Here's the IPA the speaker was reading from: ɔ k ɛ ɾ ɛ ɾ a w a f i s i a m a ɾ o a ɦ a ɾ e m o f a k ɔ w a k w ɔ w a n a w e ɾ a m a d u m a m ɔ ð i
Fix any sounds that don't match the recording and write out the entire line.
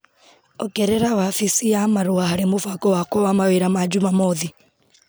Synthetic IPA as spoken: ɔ k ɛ ɾ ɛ ɾ a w a f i s i a m a ɾ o a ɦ a ɾ e m o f a k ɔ w a k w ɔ w a m a w e ɾ a m a d͡ʒ u m a m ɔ ð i